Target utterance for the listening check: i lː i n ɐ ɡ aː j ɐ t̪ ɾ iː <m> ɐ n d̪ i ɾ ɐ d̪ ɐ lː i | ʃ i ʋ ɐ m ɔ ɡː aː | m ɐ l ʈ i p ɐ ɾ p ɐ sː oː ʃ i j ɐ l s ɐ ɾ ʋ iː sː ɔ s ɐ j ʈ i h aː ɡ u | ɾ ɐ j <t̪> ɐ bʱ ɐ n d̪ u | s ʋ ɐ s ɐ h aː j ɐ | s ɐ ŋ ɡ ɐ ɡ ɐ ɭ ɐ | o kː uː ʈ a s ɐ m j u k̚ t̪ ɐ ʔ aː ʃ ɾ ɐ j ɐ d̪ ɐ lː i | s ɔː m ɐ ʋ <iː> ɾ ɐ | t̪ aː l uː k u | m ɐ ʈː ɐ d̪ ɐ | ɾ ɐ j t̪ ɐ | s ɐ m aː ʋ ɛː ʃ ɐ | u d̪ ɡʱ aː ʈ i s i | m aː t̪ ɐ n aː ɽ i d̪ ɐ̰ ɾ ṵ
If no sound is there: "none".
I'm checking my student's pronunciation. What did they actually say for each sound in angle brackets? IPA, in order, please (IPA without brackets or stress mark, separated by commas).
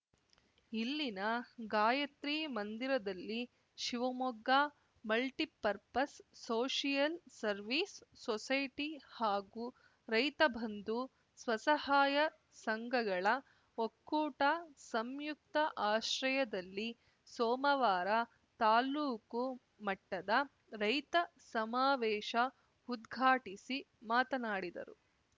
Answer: m, t̪, aː